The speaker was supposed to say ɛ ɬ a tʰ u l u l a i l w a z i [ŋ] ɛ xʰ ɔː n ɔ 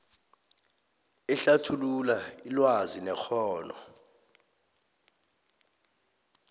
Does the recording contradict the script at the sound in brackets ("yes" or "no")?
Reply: yes